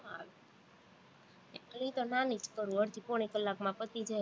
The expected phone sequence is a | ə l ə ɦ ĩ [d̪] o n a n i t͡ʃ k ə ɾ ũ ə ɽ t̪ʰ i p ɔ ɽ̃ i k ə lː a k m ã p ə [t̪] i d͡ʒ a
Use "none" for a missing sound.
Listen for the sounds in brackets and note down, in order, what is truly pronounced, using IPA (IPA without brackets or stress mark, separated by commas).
t̪, t̪